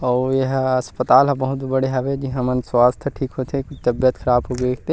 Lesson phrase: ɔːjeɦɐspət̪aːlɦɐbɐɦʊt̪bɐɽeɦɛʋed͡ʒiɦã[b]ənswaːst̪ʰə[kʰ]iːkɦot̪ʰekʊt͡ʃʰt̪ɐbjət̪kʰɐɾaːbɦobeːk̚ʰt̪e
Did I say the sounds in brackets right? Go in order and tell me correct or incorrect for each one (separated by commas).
incorrect, incorrect